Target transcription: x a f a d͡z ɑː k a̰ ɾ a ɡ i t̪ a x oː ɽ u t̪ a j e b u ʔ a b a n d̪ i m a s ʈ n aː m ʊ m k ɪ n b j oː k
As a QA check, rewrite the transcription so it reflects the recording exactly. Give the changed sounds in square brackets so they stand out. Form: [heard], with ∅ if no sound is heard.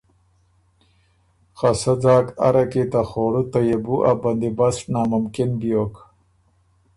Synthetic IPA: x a [s] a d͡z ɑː k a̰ ɾ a [k] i t̪ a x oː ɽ u t̪ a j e b u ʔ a b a n d̪ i [b] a s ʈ n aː m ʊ m k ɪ n b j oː k